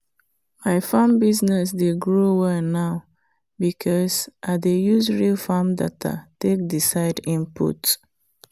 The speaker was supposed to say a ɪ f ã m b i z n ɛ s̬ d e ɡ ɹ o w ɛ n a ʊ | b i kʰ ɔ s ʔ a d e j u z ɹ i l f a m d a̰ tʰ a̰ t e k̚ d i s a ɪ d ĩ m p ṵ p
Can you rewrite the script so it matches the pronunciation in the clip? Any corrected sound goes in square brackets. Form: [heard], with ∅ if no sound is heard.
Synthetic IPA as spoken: a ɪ f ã m b i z n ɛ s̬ d e ɡ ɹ o w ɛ n a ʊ | b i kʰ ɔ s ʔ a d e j u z ɹ i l f a m d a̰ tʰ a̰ t e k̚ d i s a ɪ d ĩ m p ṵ [t]